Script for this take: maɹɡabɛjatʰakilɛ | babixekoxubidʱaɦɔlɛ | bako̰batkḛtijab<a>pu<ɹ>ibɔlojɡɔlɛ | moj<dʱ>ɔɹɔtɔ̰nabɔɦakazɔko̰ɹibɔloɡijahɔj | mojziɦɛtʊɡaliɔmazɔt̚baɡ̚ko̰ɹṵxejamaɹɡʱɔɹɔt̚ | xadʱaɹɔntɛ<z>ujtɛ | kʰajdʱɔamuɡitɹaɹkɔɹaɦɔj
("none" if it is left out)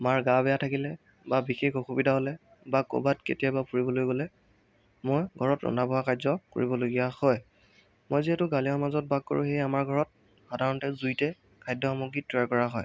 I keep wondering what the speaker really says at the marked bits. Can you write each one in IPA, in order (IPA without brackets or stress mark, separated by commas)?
a, ɹ, ɡʱ, z